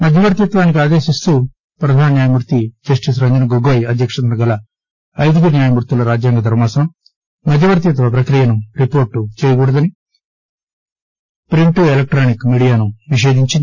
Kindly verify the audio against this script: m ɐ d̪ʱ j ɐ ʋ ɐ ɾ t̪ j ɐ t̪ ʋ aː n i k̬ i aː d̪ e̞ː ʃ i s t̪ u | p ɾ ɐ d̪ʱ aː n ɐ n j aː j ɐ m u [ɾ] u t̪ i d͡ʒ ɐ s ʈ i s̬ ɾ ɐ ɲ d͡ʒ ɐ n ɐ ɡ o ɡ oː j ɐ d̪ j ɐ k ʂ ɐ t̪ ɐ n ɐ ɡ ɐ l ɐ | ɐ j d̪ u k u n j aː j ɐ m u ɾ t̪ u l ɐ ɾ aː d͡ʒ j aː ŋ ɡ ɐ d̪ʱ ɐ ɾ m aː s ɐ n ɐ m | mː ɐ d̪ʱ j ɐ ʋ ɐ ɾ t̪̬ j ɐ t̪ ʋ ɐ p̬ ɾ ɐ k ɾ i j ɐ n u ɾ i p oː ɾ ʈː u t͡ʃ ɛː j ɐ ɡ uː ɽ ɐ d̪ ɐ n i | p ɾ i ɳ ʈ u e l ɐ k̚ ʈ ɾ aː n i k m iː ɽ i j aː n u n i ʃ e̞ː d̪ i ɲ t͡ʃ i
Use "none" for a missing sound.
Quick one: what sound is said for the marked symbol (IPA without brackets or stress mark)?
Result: ɾ